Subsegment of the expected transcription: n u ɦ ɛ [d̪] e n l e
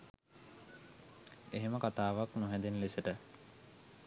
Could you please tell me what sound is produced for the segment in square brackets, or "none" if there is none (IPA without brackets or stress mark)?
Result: d̪